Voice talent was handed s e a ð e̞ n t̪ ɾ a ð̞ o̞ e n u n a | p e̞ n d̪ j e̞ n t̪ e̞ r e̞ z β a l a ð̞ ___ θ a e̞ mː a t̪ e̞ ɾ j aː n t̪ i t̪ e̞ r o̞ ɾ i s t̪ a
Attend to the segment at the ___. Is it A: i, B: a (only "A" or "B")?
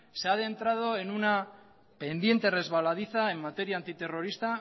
A